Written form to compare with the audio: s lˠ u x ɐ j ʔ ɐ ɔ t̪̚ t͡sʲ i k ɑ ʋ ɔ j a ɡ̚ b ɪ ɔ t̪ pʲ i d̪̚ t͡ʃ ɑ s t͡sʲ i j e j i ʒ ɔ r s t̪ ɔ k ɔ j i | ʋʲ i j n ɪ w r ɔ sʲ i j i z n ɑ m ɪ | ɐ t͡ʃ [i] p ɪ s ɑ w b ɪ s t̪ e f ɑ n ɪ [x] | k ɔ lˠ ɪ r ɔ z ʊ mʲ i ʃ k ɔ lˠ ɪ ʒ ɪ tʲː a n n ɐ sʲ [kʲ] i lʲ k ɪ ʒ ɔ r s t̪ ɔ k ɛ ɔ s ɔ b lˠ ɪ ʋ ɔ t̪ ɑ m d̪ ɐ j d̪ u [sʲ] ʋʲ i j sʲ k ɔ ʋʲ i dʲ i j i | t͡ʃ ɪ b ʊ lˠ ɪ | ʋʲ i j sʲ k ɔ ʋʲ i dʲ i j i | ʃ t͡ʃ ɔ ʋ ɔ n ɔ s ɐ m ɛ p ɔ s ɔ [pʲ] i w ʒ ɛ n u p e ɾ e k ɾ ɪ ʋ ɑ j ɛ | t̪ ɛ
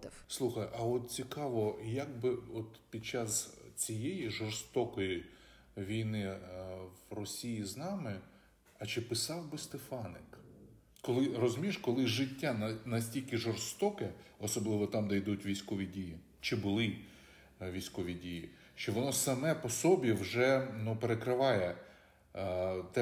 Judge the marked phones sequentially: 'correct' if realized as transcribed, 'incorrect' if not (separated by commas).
incorrect, incorrect, incorrect, incorrect, incorrect